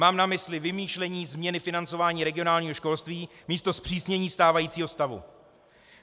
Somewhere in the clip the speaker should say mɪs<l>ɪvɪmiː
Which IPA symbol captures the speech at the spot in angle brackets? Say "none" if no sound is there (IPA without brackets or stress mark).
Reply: l